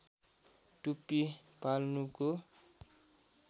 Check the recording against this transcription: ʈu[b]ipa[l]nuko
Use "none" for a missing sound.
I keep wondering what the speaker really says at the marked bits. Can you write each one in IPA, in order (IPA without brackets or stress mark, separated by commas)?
p, l